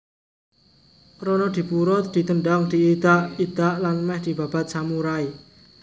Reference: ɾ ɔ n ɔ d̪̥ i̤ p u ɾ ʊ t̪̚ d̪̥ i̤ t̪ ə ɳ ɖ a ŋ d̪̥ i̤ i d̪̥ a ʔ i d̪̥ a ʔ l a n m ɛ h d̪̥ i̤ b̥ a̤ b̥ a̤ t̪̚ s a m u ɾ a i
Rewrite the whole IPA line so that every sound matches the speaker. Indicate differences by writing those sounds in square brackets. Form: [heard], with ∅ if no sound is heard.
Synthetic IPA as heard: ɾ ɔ n ɔ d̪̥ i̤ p u ɾ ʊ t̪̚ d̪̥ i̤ t̪ ə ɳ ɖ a ŋ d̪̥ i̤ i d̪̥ a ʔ i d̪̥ a ʔ l a n m ɛ h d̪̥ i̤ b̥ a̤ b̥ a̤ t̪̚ s a m u ɾ a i